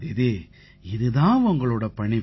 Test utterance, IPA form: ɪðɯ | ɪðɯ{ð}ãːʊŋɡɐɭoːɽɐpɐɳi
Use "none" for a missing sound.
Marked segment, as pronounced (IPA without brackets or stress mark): ð